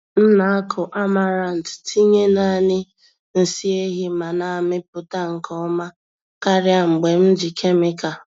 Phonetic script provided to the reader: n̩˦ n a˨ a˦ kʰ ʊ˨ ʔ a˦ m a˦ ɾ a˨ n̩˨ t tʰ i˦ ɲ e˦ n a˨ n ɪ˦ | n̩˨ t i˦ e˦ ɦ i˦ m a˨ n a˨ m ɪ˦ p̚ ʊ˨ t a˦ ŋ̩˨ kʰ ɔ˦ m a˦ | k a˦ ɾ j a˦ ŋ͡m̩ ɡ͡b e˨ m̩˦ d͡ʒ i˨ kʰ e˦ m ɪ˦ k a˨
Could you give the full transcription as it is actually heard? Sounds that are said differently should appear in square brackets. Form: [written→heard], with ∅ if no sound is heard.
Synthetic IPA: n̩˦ n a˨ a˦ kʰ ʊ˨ ʔ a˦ m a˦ ɾ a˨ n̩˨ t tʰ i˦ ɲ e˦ n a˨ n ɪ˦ | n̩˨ [t→s] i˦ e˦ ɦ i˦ m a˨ n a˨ m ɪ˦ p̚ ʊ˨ t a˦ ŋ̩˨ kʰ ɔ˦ m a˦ | k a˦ ɾ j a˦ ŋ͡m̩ ɡ͡b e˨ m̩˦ d͡ʒ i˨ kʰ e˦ m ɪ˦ k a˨